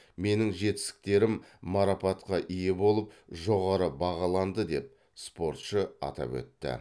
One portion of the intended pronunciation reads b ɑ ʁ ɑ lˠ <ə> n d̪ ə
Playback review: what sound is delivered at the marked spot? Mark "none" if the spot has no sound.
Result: ɑ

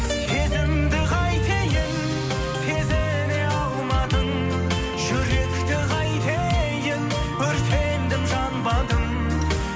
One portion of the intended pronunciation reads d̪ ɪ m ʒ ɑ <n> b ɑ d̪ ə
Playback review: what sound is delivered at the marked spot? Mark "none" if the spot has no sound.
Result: n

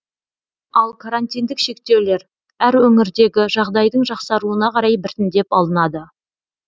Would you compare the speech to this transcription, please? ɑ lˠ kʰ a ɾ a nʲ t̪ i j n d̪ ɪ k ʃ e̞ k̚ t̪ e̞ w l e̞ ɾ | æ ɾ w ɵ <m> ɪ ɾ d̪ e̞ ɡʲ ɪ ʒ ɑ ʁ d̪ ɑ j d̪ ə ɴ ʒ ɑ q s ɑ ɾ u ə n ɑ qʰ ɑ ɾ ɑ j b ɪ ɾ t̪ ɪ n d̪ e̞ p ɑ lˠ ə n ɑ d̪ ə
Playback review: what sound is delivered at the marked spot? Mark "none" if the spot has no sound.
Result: ŋ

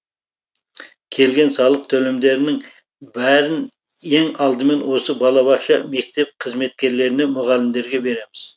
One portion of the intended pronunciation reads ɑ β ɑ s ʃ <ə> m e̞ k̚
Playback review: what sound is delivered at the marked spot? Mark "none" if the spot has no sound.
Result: ɑ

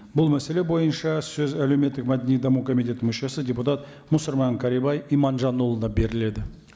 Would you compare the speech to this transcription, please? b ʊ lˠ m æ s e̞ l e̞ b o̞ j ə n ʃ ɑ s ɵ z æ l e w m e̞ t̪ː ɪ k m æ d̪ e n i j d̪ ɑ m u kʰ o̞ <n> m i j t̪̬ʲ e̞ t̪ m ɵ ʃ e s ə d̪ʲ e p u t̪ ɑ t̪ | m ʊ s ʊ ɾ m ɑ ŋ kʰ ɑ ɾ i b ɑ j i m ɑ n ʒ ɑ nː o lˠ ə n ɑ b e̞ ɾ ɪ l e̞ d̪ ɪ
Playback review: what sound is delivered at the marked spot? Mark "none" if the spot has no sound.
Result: none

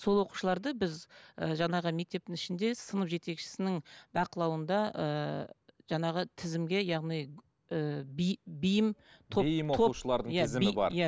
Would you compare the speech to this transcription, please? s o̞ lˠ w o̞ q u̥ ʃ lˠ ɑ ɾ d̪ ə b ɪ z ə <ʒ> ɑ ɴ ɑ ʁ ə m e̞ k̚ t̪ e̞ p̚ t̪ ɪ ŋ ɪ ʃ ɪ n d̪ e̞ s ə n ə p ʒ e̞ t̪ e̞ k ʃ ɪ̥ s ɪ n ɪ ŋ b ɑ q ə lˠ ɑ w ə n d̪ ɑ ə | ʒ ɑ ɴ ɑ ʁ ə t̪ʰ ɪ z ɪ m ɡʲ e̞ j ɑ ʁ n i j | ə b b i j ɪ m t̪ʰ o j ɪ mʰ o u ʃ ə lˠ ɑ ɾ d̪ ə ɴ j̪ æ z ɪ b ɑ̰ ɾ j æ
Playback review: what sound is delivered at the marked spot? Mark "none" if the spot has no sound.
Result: ʒ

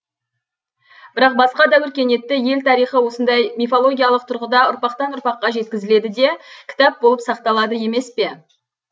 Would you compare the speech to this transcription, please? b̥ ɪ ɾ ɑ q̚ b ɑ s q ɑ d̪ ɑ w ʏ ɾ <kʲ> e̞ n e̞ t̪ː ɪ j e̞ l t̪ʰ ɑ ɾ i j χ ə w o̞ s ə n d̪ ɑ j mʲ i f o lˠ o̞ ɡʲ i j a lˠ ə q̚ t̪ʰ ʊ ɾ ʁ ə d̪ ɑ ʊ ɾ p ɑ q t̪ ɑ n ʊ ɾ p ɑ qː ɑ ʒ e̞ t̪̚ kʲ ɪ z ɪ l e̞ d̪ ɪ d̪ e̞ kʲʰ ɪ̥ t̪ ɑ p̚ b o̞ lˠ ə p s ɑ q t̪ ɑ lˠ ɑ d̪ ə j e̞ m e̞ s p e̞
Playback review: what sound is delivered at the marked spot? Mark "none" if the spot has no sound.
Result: kʲ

